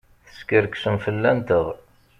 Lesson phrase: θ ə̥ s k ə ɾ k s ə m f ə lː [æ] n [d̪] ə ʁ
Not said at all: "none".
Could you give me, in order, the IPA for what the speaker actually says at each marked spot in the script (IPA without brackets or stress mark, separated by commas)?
æ, t̪